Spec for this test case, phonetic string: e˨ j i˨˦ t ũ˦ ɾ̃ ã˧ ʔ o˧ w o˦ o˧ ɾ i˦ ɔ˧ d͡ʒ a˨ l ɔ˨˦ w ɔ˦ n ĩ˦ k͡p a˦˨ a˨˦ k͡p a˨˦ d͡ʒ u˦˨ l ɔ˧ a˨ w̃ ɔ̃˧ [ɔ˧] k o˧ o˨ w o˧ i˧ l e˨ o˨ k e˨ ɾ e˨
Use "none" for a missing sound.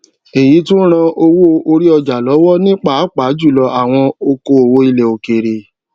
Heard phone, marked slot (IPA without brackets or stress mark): o˧